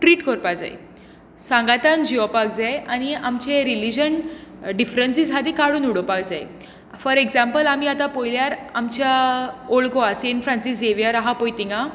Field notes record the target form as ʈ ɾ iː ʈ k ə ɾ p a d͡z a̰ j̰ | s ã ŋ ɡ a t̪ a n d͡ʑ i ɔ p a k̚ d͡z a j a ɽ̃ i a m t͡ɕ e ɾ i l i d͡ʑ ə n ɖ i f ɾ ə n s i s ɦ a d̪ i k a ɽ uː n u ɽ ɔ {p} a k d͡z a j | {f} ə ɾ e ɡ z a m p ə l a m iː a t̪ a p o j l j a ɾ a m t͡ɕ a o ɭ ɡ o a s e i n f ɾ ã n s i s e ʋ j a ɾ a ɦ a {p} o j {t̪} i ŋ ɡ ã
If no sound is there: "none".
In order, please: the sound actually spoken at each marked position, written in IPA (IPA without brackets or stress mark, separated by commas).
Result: p, f, p, t̪